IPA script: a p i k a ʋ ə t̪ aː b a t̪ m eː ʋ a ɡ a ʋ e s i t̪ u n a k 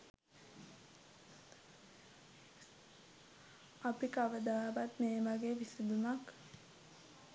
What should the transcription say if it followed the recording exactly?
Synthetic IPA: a p i k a ʋ ə d̪ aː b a t̪ m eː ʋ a ɡ e ʋ i s i d̪ u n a k